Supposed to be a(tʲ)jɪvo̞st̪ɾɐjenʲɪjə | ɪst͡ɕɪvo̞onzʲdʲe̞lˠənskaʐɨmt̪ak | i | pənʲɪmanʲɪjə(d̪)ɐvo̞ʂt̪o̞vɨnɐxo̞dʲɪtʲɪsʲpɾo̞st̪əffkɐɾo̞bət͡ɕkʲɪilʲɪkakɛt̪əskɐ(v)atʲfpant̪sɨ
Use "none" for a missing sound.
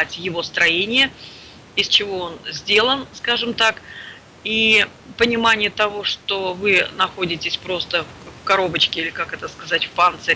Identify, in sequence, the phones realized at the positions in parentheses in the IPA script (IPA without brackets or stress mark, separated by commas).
tʲ, t̪, z